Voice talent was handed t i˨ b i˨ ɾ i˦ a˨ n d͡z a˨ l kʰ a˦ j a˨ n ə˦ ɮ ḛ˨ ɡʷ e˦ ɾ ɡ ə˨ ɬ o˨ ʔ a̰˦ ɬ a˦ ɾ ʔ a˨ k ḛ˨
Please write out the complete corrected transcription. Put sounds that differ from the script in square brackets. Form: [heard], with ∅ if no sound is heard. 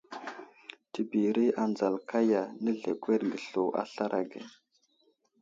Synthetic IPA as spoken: t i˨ b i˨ ɾ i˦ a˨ n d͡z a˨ l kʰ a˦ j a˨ n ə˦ ɮ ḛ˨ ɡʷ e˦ ɾ ɡ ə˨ ɬ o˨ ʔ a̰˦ ɬ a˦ ɾ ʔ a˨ [ɡ] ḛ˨